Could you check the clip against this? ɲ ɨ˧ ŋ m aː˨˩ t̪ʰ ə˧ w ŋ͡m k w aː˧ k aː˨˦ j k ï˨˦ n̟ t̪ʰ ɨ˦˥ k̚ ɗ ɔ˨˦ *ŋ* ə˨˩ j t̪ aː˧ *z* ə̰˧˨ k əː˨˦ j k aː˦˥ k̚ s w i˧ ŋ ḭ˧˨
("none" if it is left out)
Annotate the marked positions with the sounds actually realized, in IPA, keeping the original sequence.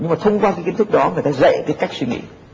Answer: ŋ, z

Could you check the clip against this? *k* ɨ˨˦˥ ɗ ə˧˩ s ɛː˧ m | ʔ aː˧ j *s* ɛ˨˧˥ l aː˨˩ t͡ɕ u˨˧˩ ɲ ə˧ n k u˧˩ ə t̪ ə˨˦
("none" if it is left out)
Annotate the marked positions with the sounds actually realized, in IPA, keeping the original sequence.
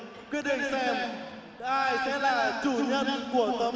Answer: k, s

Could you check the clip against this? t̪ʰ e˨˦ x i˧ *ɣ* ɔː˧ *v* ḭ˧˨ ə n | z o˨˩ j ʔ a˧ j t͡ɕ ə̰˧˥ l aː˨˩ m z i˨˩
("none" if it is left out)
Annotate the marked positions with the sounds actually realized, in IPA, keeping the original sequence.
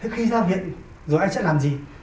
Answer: z, v

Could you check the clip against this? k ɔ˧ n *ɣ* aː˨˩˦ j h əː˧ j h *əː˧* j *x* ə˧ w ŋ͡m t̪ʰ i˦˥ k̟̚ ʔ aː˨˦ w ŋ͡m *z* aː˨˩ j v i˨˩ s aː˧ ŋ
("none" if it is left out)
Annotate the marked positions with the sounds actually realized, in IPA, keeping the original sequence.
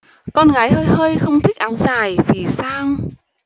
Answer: ɣ, əː˧, x, z

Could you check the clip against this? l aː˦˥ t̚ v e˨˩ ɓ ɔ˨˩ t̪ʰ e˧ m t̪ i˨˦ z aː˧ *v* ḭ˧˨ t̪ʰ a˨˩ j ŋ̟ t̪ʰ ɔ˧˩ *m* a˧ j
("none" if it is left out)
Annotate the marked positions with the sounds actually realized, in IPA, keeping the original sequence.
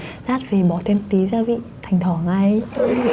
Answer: v, ŋ

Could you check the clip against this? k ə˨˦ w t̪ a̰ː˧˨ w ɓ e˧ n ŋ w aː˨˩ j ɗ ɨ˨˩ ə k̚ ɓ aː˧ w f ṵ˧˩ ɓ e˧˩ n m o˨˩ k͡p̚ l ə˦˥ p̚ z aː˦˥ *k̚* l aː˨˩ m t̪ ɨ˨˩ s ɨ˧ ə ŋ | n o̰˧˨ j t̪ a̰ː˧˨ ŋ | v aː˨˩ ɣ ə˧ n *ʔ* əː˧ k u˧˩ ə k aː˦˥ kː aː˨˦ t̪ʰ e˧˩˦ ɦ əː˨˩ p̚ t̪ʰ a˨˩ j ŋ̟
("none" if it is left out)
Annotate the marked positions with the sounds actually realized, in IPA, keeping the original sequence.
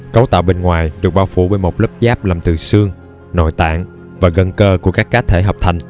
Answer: p̚, k

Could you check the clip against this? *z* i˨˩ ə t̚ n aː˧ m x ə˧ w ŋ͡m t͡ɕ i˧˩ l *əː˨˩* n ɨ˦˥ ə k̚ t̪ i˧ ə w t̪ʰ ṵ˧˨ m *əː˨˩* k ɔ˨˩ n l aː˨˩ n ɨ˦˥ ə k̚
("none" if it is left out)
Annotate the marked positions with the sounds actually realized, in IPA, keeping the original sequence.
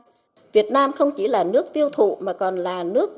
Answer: v, aː˨˩, aː˨˩

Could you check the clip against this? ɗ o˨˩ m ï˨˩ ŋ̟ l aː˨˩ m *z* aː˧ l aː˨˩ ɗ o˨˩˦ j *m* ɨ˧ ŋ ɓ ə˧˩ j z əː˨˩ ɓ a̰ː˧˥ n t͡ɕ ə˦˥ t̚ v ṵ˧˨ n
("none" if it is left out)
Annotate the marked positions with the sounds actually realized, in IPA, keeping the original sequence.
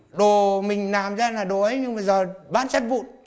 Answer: z, ɲ

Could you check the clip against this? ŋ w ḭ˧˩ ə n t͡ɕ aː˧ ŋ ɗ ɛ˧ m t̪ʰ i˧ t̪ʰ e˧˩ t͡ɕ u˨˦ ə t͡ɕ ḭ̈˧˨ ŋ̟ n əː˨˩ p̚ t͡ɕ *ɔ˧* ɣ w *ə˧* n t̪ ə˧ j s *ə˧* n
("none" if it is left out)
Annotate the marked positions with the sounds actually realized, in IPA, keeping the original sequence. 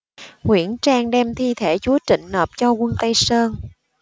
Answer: ɔ˧, ə˧, əː˧

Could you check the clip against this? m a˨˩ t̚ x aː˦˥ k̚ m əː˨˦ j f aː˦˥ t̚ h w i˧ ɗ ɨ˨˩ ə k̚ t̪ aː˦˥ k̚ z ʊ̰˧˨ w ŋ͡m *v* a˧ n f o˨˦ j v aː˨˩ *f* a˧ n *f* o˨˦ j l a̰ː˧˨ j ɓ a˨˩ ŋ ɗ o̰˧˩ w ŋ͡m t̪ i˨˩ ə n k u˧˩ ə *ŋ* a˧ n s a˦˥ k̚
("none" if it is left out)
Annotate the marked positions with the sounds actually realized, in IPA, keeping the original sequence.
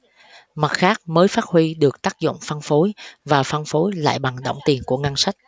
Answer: f, f, f, ŋ

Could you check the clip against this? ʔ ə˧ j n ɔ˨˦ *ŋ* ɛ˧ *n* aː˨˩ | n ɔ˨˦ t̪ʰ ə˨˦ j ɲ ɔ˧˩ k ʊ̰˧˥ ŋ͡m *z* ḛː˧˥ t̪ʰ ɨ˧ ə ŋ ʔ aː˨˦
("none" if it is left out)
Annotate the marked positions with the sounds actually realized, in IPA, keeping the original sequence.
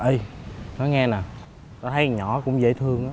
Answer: ŋ, n, z

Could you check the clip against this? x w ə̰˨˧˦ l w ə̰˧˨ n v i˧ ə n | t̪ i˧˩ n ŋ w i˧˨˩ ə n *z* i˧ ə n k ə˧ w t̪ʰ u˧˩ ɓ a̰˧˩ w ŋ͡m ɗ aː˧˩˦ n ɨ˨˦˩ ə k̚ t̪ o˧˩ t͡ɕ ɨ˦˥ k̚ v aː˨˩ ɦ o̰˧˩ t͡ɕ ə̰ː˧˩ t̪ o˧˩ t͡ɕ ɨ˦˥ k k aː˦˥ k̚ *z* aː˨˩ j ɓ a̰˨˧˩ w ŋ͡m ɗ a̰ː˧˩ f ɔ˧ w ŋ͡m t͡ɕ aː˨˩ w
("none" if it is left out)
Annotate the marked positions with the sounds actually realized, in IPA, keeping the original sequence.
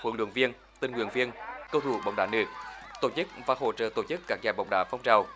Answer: v, z

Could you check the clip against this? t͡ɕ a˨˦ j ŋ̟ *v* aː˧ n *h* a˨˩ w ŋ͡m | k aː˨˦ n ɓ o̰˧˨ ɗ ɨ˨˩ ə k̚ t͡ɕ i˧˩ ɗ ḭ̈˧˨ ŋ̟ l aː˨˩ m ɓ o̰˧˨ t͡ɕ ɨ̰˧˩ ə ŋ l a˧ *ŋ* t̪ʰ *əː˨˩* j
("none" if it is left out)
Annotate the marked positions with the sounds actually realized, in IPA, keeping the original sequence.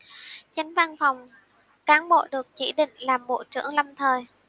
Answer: v, f, m, əː˨˩

